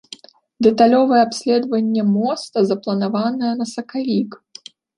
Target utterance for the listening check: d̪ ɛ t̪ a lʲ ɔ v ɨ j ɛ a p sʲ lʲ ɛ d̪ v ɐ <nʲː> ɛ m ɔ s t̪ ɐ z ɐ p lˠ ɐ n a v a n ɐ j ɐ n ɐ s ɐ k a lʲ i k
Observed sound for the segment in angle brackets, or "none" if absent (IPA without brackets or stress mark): nʲː